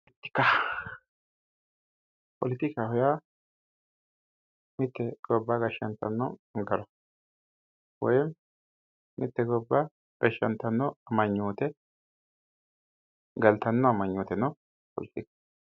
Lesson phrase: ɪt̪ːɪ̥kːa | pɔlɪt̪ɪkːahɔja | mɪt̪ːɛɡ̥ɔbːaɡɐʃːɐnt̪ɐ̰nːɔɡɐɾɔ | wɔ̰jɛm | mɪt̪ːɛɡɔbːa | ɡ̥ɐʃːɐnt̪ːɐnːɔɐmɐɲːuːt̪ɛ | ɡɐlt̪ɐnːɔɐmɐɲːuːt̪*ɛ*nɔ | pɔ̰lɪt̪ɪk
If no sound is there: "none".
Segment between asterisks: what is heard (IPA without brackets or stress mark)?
ɛ